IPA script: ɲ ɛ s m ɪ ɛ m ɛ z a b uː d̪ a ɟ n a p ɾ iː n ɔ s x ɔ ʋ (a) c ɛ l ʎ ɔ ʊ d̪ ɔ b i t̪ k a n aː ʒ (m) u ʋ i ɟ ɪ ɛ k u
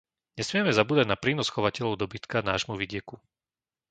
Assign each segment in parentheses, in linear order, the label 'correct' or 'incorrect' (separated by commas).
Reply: correct, correct